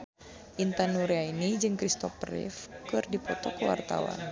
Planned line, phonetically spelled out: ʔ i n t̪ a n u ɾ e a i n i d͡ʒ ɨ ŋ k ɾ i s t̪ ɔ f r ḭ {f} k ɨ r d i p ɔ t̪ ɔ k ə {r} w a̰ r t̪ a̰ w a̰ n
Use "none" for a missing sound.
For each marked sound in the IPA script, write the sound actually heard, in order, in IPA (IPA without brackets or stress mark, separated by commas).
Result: f, none